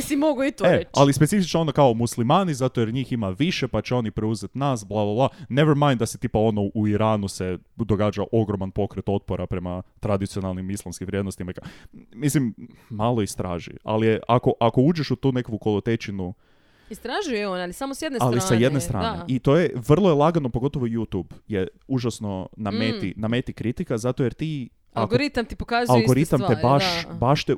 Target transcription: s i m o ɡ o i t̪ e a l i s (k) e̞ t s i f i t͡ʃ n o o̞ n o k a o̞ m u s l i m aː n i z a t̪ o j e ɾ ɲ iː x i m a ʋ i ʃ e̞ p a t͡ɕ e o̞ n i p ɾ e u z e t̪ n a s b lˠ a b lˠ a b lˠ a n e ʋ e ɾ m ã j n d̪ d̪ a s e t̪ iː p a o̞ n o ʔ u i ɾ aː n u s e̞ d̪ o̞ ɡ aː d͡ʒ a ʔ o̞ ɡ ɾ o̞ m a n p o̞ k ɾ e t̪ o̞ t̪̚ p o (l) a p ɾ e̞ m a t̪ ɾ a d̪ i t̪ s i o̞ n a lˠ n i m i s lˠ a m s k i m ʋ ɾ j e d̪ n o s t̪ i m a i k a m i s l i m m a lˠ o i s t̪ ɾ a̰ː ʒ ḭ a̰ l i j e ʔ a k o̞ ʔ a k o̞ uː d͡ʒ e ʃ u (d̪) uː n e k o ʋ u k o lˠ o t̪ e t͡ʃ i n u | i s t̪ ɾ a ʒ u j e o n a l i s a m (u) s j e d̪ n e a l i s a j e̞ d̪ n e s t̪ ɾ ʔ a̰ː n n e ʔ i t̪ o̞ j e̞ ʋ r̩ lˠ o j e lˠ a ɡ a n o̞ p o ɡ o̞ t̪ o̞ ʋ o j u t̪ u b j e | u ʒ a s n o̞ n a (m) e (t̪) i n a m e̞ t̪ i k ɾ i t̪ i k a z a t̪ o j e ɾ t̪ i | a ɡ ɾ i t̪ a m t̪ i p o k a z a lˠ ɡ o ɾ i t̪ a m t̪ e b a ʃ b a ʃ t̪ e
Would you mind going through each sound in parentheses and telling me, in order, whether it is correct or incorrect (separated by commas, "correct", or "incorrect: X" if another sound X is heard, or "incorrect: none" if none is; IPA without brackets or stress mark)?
incorrect: p, incorrect: ɾ, incorrect: t̪, incorrect: o, correct, correct